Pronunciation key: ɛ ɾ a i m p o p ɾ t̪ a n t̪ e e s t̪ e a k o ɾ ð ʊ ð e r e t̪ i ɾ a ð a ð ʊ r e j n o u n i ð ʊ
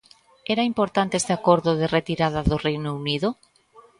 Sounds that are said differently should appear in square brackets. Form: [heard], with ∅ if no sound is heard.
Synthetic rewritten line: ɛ ɾ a i m p o [∅] ɾ t̪ a n t̪ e e s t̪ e a k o ɾ ð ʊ ð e r e t̪ i ɾ a ð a ð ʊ r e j n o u n i ð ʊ